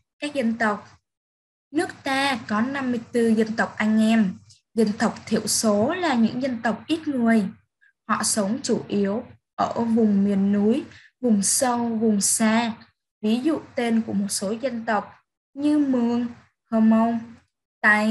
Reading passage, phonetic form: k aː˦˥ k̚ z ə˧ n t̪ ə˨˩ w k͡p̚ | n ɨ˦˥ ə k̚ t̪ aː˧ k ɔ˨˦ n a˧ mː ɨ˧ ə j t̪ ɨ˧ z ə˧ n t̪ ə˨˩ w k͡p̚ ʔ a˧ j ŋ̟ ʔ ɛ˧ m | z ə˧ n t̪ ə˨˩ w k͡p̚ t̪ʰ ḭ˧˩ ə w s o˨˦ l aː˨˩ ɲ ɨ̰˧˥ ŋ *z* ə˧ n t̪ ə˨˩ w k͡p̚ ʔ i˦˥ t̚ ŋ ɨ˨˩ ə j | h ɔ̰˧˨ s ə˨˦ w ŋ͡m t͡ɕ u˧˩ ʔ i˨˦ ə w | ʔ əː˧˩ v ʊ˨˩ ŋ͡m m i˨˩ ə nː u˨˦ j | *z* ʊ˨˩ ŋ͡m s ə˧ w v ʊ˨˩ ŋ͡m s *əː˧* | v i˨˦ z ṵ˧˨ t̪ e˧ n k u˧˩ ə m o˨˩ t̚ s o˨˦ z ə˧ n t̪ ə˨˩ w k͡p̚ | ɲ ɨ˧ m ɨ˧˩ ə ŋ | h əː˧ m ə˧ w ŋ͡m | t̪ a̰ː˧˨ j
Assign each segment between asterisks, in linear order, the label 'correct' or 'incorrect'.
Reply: correct, incorrect: v, incorrect: aː˧

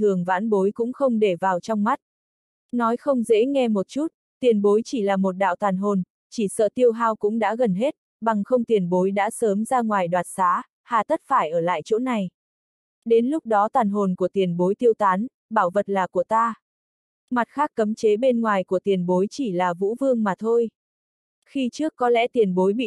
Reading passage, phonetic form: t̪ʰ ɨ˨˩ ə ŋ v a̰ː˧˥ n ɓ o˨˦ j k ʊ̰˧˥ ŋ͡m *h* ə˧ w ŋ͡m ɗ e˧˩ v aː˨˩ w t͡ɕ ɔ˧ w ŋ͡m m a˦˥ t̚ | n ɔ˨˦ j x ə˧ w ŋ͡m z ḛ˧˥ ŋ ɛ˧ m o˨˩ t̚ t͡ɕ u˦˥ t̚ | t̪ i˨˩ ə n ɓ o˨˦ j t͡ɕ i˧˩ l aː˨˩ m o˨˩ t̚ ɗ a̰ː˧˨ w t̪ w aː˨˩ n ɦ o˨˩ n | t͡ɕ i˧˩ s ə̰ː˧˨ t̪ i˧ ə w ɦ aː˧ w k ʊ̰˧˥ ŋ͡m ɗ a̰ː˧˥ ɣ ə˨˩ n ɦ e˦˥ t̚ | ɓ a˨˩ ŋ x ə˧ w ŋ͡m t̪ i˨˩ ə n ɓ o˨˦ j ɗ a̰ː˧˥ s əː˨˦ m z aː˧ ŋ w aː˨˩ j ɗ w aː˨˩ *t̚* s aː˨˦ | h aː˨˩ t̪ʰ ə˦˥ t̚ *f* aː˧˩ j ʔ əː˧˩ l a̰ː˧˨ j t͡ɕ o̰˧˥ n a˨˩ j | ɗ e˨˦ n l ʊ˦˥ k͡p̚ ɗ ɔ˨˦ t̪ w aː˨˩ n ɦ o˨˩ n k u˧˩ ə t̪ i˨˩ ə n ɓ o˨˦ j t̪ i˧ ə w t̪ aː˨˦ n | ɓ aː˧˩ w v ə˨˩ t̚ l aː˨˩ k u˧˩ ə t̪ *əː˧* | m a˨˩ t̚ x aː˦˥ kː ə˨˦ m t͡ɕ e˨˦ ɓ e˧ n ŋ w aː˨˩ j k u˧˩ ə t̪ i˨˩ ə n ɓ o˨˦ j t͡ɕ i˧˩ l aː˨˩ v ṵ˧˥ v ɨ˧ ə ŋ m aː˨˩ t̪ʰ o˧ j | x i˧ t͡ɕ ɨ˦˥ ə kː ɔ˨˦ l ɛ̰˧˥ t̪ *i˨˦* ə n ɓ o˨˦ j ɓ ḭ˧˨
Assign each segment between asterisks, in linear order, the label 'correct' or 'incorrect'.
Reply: incorrect: x, correct, correct, incorrect: aː˧, incorrect: i˨˩

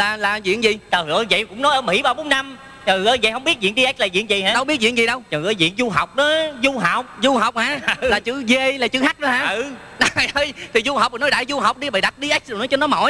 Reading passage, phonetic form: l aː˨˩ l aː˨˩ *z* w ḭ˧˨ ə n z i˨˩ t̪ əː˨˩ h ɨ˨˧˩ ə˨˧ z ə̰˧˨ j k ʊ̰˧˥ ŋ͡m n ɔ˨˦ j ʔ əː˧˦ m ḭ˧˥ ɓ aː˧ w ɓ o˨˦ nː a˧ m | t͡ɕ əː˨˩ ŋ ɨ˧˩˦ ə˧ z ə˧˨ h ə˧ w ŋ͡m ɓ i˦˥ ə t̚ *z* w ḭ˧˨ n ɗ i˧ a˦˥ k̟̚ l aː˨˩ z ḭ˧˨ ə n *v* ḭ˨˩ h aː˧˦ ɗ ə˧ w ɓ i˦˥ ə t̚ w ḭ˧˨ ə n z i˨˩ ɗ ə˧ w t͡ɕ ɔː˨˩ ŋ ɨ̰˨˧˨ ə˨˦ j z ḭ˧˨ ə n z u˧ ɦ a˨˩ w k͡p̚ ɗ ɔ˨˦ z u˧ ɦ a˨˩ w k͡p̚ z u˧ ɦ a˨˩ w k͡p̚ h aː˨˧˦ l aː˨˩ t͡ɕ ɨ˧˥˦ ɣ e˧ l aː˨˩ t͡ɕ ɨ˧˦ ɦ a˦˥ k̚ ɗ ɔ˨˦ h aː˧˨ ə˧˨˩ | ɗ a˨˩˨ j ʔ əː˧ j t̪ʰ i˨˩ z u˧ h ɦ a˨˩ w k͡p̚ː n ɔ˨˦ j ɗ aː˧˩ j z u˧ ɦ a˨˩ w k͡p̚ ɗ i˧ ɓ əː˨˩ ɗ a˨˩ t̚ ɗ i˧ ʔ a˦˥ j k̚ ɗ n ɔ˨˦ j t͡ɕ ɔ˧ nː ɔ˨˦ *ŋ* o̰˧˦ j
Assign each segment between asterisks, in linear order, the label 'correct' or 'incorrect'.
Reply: correct, correct, incorrect: z, incorrect: m

